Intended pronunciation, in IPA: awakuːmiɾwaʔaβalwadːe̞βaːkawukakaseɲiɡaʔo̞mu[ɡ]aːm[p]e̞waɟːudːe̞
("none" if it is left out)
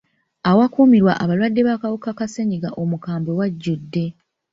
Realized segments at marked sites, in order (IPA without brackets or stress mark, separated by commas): k, b